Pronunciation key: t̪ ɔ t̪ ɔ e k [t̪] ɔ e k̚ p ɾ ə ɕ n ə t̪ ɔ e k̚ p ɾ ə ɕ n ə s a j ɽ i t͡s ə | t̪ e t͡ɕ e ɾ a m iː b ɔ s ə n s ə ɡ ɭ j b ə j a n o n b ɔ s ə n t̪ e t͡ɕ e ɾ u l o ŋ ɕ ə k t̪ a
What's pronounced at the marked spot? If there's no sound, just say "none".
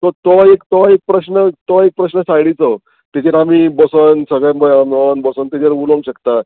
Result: t̪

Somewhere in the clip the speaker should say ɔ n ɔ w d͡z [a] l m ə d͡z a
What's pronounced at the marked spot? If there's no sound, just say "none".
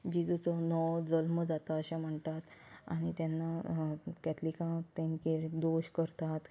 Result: ə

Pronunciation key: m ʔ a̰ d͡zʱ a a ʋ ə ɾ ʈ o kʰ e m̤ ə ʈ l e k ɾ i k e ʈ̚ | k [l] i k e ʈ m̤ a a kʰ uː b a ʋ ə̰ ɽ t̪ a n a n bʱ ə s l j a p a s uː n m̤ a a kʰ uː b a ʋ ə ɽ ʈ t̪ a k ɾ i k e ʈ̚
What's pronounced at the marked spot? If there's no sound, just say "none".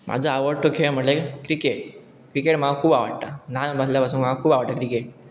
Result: ɾ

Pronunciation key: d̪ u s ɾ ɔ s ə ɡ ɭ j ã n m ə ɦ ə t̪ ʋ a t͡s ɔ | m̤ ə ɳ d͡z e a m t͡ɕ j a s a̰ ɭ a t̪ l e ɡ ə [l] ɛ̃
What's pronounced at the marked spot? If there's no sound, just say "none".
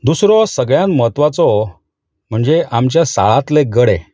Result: ɽ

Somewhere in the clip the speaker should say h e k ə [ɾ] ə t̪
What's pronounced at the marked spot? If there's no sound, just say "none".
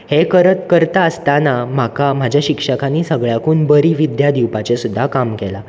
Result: ɾ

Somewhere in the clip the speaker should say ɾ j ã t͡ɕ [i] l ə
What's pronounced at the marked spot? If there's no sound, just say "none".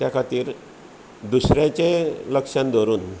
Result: e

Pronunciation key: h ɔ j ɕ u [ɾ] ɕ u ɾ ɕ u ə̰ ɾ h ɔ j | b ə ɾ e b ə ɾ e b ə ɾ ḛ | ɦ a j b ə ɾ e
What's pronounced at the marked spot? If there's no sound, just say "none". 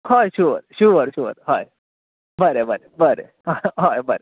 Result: ɾ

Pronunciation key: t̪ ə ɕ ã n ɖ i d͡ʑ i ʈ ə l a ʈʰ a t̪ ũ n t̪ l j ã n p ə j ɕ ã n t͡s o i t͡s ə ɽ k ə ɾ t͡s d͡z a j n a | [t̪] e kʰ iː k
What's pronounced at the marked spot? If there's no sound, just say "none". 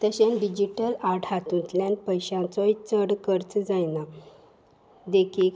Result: d̪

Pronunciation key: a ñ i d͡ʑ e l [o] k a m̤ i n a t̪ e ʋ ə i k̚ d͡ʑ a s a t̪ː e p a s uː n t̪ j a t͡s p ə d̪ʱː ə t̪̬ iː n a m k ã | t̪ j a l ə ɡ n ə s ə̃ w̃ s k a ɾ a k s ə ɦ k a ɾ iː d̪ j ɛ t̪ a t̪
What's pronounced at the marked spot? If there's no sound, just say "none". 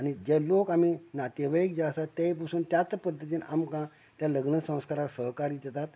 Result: o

